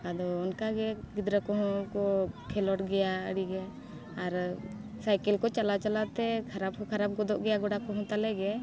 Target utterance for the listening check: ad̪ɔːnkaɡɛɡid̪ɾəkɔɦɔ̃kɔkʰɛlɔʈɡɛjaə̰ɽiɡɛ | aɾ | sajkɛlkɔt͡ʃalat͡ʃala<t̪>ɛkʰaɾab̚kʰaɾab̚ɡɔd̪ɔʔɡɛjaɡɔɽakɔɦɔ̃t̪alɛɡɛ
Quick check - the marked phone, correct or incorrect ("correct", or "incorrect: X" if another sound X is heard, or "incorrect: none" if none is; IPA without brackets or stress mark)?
correct